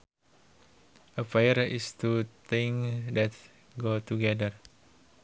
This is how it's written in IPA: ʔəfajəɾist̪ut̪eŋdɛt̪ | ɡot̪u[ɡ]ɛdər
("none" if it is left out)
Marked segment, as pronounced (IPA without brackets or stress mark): ɡ